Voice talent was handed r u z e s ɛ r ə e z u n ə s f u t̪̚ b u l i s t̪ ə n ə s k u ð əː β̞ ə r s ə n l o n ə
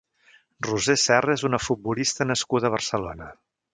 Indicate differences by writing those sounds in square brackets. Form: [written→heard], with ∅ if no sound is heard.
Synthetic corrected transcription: r u z e s ɛ r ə e z u n ə [s→∅] f u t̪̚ b u l i s t̪ ə n ə s k u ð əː β̞ ə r s ə [n→∅] l o n ə